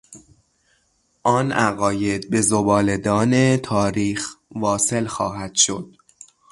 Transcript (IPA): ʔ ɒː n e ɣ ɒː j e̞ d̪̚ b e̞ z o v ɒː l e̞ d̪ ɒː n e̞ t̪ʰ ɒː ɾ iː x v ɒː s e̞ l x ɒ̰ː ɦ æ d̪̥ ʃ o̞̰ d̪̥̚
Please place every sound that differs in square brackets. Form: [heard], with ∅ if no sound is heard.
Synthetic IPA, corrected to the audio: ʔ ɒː n [æ] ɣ ɒː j e̞ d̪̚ b e̞ z o [b] ɒː l e̞ d̪ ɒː n e̞ t̪ʰ ɒː ɾ iː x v ɒː s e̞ l x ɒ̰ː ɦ æ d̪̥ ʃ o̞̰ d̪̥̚